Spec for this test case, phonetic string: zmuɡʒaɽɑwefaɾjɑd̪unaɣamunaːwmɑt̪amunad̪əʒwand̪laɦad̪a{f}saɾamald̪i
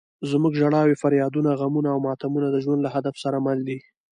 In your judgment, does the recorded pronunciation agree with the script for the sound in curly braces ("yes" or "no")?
yes